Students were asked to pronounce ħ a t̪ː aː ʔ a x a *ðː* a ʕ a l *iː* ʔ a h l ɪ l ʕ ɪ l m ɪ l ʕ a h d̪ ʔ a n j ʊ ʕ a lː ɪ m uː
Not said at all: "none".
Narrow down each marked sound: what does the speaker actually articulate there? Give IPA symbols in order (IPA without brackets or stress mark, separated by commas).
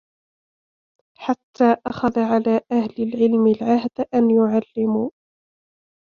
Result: ð, aː